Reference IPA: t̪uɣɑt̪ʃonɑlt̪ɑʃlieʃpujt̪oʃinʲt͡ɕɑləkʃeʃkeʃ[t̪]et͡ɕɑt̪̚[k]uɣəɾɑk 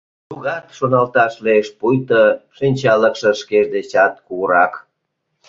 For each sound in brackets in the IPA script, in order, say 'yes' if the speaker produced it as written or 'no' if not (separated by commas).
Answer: no, yes